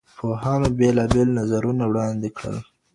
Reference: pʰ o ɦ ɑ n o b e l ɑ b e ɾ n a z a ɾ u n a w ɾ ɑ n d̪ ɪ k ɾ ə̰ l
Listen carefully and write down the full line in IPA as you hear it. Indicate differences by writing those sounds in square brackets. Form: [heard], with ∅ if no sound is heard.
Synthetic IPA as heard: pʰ o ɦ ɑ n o b e l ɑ b e [l] n a z a ɾ u n a w [ɽ] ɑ n d̪ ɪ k [ɽ] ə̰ l